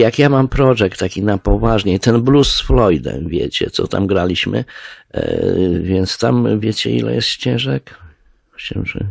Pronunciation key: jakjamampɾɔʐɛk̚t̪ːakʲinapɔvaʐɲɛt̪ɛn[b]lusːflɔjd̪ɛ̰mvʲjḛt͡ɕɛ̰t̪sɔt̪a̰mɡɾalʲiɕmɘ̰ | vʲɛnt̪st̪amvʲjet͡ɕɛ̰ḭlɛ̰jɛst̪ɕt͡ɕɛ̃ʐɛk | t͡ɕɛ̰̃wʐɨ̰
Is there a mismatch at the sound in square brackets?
no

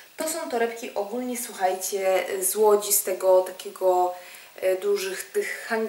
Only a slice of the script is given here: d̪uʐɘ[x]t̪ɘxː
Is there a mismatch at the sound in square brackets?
no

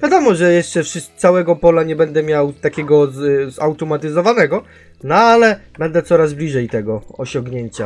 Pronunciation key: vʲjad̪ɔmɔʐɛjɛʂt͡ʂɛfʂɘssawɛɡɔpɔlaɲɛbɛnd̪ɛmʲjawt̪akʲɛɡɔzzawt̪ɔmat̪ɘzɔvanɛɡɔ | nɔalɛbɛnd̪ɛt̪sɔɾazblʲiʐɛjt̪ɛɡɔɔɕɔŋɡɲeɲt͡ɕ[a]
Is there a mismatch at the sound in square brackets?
no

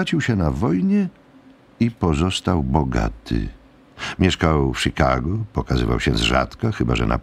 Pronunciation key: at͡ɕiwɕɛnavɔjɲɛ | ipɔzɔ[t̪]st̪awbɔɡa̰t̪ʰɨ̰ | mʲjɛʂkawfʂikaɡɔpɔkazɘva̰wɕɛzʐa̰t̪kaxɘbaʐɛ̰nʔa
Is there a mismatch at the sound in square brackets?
yes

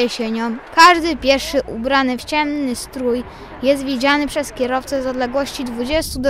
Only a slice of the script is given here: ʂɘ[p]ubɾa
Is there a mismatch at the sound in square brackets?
yes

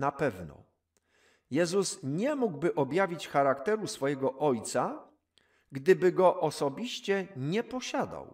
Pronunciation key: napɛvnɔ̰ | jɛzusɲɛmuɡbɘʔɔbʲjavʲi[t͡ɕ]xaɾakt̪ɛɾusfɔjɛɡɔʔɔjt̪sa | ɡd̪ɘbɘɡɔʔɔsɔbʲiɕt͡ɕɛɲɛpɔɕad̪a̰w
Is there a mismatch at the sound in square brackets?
no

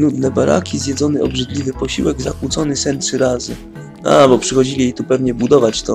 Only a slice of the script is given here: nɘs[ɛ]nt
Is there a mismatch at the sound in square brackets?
no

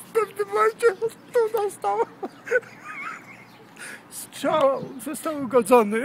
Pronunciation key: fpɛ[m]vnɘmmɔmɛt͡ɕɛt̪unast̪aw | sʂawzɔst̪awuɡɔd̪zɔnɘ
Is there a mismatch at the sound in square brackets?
yes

